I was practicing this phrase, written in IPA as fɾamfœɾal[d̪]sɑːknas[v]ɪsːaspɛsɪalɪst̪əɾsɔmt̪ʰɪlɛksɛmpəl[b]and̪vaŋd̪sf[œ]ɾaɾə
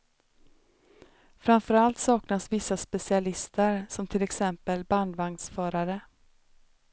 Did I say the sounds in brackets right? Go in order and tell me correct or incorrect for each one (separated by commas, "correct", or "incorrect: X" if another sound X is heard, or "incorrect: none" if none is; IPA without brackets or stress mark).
incorrect: t̪, correct, correct, incorrect: œː